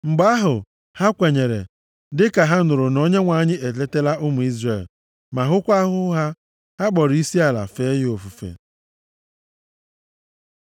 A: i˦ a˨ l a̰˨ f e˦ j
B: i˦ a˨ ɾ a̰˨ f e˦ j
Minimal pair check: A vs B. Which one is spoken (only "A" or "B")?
A